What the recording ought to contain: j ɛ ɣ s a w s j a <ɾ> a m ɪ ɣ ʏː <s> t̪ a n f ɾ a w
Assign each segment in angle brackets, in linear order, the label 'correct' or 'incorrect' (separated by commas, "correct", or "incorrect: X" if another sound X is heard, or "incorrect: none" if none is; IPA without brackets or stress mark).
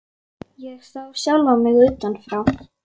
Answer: incorrect: l, incorrect: none